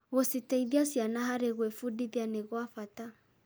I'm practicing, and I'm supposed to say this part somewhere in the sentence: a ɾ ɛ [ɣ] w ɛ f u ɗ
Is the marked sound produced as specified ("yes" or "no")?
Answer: yes